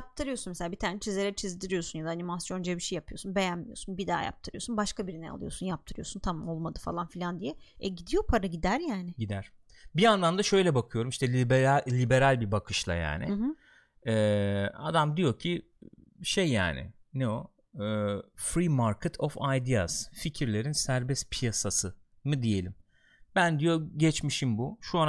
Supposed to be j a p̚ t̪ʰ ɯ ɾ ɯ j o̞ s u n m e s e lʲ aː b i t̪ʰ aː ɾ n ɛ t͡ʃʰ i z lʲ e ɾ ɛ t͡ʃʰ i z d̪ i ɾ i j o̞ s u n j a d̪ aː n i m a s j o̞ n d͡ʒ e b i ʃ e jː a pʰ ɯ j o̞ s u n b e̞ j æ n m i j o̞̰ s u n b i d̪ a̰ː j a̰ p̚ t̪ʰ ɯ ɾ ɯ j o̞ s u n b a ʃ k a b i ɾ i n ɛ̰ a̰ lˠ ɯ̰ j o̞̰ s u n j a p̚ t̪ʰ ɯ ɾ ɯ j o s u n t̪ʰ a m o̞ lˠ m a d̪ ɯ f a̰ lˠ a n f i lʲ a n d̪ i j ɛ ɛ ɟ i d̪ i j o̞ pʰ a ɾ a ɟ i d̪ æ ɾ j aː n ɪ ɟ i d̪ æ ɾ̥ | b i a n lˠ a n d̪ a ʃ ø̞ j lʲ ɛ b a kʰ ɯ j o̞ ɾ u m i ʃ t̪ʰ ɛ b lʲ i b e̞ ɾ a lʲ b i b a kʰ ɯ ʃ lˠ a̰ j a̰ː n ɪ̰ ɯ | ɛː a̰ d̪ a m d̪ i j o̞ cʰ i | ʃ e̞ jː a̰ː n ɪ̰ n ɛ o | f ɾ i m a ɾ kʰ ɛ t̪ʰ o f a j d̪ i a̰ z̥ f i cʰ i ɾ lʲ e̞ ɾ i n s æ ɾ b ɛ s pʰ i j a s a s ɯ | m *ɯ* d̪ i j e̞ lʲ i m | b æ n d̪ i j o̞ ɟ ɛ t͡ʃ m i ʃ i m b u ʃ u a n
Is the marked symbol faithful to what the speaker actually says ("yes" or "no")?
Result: yes